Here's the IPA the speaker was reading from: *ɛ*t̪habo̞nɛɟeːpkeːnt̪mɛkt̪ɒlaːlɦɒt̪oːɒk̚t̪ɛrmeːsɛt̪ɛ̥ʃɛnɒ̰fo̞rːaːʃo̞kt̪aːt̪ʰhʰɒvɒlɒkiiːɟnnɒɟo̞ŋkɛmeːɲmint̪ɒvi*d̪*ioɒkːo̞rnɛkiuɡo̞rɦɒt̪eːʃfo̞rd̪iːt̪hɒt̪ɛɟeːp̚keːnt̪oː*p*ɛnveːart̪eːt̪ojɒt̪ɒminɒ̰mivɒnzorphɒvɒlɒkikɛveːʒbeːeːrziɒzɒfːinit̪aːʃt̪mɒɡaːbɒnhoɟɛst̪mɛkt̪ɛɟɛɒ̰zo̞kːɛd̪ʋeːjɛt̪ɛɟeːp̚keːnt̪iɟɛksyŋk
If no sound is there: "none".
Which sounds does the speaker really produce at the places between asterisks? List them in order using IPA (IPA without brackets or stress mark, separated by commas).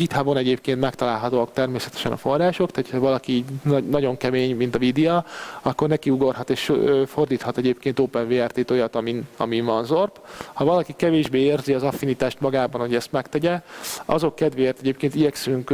i, d̪, p